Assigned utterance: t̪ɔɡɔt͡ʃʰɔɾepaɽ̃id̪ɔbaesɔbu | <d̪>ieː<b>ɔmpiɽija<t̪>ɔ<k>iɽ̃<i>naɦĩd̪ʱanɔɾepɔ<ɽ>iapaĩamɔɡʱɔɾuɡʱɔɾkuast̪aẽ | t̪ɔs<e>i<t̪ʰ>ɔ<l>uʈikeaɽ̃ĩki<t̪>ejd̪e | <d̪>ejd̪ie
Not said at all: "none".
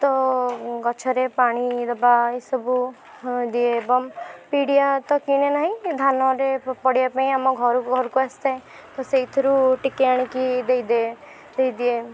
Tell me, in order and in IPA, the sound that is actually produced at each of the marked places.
d̪, b, t̪, k, e, ɽ, e, t̪ʰ, ɾ, d̪, d̪

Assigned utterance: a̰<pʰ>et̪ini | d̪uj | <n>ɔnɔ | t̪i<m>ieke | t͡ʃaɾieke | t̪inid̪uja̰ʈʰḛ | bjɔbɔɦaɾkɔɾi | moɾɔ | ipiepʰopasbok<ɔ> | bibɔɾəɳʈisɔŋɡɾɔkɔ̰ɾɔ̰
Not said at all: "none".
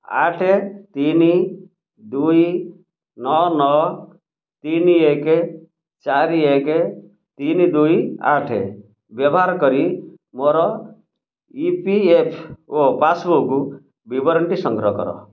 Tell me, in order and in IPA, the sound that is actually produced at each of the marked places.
ʈʰ, n, n, u

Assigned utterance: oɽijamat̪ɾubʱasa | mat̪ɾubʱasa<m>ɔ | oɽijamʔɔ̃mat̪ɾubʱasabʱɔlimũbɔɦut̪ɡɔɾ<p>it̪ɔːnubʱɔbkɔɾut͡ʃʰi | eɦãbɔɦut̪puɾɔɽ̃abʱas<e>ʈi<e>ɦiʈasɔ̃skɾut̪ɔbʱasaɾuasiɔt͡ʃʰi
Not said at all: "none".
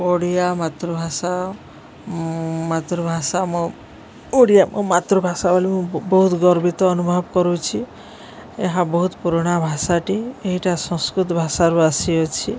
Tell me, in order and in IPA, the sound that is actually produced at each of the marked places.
m, b, a, e

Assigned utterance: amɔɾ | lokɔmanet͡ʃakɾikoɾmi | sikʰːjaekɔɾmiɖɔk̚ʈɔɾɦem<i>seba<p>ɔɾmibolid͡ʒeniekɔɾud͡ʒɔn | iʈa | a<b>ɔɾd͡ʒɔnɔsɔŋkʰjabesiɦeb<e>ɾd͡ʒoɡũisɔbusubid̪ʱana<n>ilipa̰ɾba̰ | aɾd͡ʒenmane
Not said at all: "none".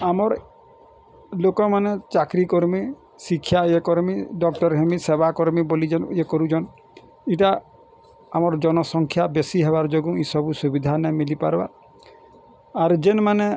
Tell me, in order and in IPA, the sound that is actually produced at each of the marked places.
i, k, m, a, m

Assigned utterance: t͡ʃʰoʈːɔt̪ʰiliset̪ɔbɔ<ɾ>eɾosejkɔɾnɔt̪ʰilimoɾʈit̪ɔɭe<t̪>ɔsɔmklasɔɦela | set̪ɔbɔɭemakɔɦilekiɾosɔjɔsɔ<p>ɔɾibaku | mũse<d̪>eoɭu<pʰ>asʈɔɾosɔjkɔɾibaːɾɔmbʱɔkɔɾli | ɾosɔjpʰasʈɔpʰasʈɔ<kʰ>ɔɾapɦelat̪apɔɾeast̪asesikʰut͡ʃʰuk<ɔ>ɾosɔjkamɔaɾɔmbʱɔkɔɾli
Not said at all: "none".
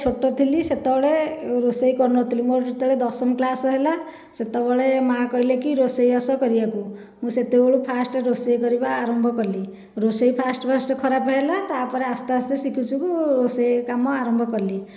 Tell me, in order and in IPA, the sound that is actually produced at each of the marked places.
ɭ, d̪, k, t̪, pʰ, kʰ, u

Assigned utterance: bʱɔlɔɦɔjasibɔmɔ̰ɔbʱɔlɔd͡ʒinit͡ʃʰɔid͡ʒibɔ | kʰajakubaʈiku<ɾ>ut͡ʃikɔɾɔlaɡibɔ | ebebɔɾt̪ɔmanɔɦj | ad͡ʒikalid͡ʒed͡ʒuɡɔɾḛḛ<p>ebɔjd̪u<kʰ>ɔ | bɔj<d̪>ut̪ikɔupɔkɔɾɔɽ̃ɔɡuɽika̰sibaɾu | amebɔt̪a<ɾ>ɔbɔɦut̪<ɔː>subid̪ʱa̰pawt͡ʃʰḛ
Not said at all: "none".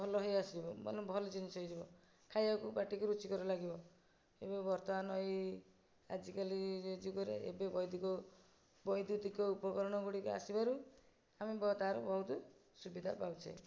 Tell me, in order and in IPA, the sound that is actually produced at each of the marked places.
ɾ, b, k, d̪, ɾ, ɔ

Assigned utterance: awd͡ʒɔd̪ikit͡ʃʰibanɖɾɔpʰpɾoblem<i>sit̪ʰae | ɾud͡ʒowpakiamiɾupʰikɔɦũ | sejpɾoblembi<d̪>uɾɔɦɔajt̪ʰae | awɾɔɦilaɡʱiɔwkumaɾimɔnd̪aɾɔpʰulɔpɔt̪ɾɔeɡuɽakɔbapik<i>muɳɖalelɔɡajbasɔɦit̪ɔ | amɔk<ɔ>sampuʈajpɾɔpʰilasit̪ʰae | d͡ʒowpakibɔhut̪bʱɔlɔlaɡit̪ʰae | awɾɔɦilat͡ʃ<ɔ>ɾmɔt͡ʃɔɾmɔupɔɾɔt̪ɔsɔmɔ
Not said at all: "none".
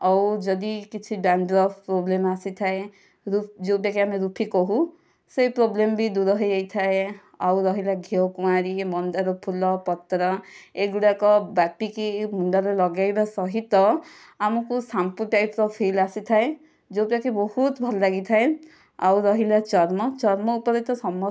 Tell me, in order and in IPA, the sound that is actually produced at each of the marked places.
a, d̪, i, u, ɔ

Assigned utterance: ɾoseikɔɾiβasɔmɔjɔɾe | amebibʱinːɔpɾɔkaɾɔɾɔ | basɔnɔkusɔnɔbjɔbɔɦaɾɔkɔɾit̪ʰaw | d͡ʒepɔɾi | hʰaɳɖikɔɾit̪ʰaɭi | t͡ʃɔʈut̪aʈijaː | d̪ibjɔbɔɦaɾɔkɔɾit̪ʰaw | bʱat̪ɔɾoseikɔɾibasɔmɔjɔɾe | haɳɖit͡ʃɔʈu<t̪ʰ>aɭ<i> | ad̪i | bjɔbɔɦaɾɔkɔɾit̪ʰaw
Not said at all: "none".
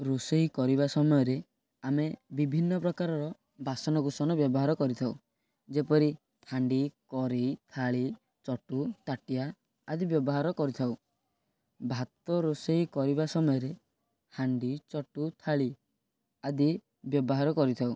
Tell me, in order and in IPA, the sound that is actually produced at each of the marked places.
t̪ʰ, i

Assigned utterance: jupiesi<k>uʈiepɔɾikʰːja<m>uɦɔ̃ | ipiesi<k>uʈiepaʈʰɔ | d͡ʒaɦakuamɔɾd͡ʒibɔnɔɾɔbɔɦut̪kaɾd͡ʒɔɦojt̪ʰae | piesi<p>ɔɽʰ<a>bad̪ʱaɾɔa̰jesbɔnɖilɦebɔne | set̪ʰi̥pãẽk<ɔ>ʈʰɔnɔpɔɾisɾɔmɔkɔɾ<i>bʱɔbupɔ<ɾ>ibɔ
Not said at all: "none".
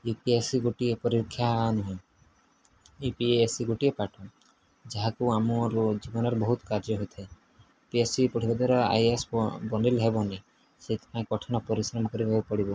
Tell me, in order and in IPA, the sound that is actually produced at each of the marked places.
ɡ, n, ɡ, p, i, ɔ, i, ɽ

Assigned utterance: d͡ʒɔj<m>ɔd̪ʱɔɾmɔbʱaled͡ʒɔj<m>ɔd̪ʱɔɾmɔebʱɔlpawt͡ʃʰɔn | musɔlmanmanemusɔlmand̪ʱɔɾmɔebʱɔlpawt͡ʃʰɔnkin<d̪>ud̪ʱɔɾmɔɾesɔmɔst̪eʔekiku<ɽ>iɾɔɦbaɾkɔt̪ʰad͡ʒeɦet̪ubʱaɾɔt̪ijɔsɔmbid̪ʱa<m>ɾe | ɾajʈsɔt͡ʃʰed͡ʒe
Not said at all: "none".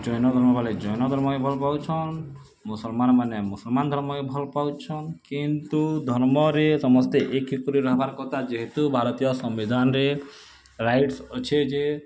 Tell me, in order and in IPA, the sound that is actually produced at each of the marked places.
n, n, t̪, ɾ, n

